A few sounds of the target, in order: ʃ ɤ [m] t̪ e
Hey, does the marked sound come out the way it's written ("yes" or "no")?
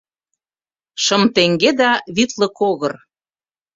yes